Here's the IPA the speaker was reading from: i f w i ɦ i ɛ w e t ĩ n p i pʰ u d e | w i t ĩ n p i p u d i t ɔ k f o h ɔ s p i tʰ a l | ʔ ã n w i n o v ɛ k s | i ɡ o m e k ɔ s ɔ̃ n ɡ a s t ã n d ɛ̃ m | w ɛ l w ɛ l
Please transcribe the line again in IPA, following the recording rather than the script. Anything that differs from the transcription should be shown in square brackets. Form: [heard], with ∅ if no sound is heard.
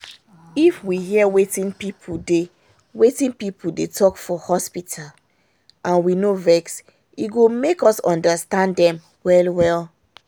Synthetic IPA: i f w i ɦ i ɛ w e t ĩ n p i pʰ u d e | w [e] t ĩ n p i p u d [e] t ɔ k f [ɔ] h ɔ s p i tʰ a l | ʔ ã n w i n o v ɛ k s | i ɡ o m e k ɔ s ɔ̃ n [d] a s t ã n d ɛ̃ m | w ɛ l w ɛ l